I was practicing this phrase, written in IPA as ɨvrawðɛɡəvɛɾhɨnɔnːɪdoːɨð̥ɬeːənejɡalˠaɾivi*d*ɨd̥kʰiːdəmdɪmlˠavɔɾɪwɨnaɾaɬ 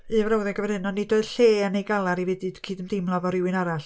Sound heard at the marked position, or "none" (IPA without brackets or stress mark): d